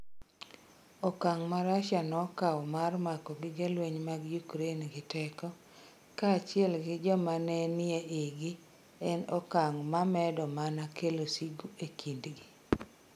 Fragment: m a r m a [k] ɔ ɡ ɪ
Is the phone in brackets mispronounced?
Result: no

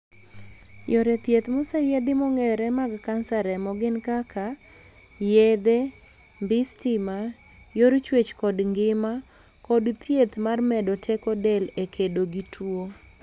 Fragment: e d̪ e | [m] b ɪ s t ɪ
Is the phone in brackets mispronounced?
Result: no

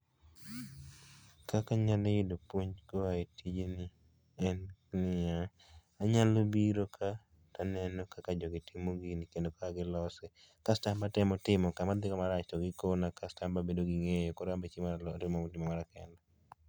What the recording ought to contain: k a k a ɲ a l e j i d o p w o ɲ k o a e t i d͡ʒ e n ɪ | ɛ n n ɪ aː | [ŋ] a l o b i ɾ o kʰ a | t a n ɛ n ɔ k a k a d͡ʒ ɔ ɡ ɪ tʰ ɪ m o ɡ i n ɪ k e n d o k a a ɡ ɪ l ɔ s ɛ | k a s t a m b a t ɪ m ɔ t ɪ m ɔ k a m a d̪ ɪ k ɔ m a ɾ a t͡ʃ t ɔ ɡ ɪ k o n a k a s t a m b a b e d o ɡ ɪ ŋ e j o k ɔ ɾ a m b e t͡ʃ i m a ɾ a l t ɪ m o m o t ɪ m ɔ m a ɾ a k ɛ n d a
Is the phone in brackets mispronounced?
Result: yes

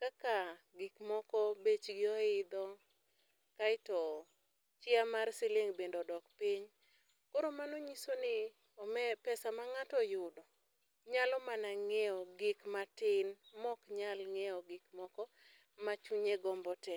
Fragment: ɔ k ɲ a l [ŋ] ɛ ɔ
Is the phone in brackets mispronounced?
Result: no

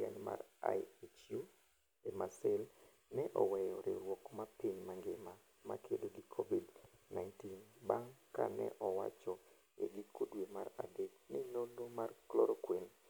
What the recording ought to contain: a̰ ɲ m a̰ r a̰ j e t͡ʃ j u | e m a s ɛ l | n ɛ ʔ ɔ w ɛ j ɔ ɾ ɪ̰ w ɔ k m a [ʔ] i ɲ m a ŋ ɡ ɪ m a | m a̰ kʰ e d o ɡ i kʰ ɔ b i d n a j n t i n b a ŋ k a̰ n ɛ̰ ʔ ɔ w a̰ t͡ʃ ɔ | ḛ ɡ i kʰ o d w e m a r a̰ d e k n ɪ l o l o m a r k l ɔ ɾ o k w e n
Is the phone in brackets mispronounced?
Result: yes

